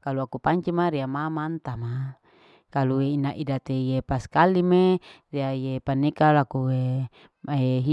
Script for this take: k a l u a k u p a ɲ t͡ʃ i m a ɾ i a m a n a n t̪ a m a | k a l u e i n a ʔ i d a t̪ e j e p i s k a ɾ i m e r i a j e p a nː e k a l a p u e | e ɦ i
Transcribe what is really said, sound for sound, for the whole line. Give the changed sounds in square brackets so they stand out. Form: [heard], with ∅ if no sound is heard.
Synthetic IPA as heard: k a l u a k u p a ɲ t͡ʃ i m a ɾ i a m a [m] a n t̪ a m a | k a l u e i n a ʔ i d a t̪ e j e p [a] s k a [l] i m e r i a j e p a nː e k a l a [k] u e | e ɦ i

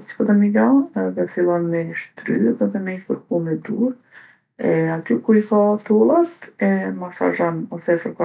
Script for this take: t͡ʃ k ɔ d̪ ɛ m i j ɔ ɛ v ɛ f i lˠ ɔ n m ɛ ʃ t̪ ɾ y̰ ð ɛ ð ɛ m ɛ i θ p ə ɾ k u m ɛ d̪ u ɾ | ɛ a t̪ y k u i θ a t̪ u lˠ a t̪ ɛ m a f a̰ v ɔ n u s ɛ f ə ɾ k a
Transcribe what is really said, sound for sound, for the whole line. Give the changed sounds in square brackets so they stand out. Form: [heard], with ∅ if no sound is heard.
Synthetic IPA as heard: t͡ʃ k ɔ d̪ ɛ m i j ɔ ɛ [ð] ɛ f i lˠ ɔ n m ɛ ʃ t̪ ɾ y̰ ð ɛ ð ɛ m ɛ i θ p ə ɾ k u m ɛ d̪ u ɾ | ɛ a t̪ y k u i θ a t̪ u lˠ a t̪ ɛ m a [s] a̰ [ʒ] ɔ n [ɔ] s ɛ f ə ɾ k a

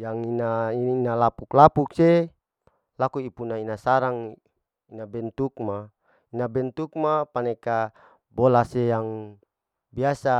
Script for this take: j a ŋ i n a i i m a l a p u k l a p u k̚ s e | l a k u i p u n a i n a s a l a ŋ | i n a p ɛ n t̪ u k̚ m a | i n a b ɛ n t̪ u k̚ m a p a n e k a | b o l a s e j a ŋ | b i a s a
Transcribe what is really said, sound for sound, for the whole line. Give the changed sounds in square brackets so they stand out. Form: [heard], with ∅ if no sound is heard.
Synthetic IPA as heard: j a ŋ i n a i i [n] a l a p u k l a p u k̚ s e | l a k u i p u n a i n a s a [ɾ] a ŋ | i n a [b] ɛ n t̪ u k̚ m a | i n a b ɛ n t̪ u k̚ m a p a n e k a | b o l a s e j a ŋ | b i a s a

